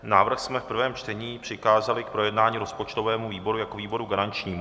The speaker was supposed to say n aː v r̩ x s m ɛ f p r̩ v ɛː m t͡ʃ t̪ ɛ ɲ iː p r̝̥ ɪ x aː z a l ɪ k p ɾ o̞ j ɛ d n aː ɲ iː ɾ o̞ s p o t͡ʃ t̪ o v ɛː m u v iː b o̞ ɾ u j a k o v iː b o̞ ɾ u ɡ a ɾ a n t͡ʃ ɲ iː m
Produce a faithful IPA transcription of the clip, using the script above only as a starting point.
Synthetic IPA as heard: n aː v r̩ x s m ɛ f p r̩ v ɛː m t͡ʃ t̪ ɛ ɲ iː p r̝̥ ɪ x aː z a l ɪ k p ɾ o̞ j ɛ d n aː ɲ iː ɾ o̞ s p o t͡ʃ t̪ o v ɛː m u v iː b o̞ ɾ u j a k o v iː b o̞ ɾ u ɡ a ɾ a n t͡ʃ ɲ iː m